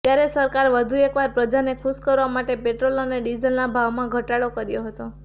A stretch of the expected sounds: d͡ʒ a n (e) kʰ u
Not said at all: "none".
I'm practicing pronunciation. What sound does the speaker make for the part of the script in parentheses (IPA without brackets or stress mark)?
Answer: e